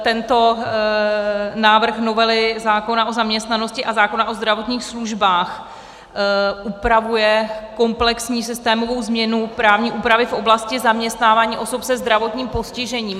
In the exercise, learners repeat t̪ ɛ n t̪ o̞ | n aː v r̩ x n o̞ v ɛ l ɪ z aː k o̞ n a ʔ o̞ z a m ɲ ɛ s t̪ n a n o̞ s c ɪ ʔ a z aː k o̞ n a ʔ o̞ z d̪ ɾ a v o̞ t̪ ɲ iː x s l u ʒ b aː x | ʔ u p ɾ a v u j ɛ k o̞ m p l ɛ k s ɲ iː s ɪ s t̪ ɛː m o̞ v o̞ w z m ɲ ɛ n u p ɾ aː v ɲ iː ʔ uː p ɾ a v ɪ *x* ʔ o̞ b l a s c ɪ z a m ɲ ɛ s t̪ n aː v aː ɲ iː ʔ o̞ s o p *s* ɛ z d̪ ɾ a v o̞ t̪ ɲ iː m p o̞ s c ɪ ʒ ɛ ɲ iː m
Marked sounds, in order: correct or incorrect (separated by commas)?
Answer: incorrect, correct